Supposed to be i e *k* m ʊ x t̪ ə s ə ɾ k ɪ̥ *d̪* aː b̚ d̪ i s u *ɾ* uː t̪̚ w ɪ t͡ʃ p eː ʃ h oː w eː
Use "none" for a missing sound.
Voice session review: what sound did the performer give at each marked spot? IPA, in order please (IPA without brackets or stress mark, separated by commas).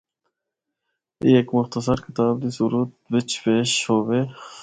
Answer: k, t̪, ɾ